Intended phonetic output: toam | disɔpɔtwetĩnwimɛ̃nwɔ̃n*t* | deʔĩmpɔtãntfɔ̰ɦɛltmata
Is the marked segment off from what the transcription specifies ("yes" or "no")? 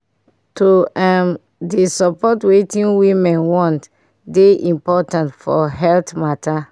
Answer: no